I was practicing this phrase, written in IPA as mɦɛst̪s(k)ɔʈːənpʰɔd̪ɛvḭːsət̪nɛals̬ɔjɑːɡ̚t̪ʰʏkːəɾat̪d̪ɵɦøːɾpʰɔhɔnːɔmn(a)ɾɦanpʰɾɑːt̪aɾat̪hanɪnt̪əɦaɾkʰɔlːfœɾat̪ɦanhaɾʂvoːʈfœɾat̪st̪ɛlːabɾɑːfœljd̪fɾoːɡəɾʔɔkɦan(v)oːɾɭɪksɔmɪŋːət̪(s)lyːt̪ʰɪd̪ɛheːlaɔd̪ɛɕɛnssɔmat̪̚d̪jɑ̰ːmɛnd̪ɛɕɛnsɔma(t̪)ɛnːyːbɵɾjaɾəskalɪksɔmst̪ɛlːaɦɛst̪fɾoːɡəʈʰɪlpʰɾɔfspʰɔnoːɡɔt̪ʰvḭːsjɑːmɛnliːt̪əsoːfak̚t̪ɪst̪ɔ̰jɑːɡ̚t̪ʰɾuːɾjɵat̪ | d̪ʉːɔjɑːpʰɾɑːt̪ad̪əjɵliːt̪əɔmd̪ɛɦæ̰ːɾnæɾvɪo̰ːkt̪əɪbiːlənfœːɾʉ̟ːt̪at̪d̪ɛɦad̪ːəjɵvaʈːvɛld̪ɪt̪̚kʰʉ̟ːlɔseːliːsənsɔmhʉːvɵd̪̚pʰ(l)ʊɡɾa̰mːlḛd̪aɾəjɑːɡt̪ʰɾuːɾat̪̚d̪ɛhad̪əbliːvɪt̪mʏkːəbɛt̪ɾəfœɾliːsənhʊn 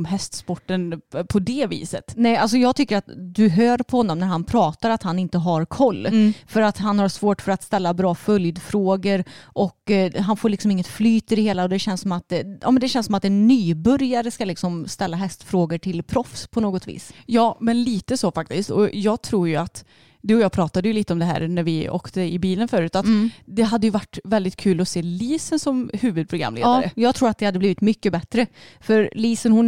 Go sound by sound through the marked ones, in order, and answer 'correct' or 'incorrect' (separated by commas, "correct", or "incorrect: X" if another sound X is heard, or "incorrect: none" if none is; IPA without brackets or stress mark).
incorrect: p, incorrect: æ, incorrect: f, incorrect: f, correct, incorrect: ɾ